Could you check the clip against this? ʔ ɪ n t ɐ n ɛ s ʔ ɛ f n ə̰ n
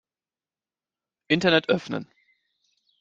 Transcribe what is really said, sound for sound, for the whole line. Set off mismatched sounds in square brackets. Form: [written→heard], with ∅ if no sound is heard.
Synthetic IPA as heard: ʔ ɪ n t ɐ n ɛ [s→t] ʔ [ɛ→œ] f n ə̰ n